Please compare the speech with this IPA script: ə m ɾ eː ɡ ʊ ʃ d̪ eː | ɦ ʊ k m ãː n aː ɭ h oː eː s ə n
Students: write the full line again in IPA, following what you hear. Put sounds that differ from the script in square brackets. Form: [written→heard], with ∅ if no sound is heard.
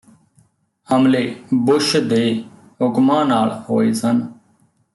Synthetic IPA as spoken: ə m [ɾ→l] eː [ɡ→b] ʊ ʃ d̪ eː | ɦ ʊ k m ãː n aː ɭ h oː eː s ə n